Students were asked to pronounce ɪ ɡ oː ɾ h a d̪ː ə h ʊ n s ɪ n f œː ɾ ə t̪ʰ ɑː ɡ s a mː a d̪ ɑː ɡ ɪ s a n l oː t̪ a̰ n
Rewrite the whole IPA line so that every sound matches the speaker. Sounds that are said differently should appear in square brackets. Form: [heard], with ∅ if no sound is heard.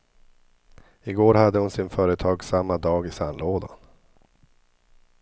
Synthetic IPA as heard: ɪ ɡ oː ɾ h a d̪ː ə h ʊ n s ɪ n f œː ɾ ə t̪ʰ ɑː ɡ s a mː a d̪ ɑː ɡ ɪ s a n l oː [d̪] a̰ n